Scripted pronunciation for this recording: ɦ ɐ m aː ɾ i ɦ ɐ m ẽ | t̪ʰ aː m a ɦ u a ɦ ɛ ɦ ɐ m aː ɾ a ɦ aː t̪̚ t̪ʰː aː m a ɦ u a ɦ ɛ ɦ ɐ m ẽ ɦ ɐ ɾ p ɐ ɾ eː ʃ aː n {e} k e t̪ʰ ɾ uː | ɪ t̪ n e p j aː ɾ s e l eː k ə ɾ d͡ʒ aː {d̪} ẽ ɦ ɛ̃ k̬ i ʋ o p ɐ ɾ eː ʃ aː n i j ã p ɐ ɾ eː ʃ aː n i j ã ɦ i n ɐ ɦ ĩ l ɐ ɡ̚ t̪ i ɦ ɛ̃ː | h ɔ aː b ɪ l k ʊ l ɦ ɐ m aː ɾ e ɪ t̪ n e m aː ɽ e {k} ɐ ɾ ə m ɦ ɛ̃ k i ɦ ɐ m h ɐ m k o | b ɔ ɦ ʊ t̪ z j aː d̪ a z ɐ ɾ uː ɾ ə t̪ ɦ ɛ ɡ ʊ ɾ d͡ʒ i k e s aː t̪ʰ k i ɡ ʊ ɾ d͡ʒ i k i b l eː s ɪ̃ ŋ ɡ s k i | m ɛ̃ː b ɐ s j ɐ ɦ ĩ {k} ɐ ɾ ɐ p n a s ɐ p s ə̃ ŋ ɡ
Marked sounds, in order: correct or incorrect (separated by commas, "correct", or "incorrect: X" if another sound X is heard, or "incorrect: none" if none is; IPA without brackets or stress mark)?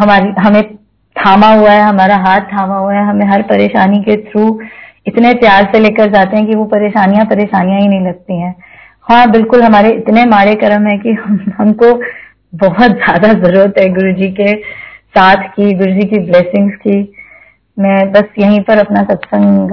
incorrect: i, incorrect: t̪, correct, incorrect: p